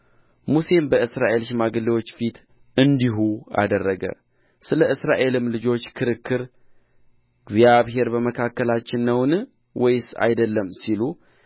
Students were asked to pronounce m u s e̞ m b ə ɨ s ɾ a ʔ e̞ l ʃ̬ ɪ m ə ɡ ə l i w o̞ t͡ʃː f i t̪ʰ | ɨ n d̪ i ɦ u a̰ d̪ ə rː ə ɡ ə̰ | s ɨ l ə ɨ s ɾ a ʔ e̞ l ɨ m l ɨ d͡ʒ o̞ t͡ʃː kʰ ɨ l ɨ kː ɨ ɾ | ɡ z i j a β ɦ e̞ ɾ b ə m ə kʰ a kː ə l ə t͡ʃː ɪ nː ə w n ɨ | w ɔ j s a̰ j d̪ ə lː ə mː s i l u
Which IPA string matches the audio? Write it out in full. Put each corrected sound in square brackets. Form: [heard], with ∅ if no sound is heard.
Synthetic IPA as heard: m u s e̞ m b ə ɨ s ɾ a ʔ e̞ l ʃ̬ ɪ m [a] ɡ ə l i w o̞ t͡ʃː f i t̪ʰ | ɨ n d̪ i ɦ u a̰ d̪ ə rː ə ɡ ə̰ | s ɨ l ə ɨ s ɾ a ʔ e̞ l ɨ m l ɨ d͡ʒ o̞ t͡ʃː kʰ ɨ [ɾ] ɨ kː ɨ ɾ | ɡ z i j a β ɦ e̞ ɾ b ə m ə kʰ a kː ə l [a] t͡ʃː ɪ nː ə w n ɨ | w ɔ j s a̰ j d̪ ə lː ə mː s i l u